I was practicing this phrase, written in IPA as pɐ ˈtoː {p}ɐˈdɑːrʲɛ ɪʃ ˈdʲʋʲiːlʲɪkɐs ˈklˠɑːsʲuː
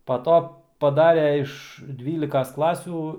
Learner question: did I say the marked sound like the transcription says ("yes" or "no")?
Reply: yes